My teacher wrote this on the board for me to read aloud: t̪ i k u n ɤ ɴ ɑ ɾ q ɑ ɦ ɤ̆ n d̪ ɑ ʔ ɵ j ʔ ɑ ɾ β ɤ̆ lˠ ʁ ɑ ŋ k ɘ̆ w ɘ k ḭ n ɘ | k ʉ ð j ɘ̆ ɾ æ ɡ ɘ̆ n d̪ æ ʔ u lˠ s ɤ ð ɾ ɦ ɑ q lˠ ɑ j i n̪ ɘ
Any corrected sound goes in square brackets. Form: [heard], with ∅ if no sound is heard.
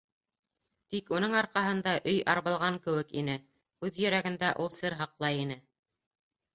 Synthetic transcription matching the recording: t̪ i k u n ɤ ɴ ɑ ɾ q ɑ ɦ ɤ̆ n d̪ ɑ ʔ ɵ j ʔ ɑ ɾ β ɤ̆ lˠ ʁ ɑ ŋ k ɘ̆ w ɘ k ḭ n ɘ | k ʉ ð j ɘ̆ ɾ æ ɡ ɘ̆ n d̪ æ ʔ u lˠ s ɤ [∅] ɾ ɦ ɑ q lˠ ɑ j i n̪ ɘ